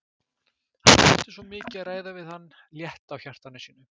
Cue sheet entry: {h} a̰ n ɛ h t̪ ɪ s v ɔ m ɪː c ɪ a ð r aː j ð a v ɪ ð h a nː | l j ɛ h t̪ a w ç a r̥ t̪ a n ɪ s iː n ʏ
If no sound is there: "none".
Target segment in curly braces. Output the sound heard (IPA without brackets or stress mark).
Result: h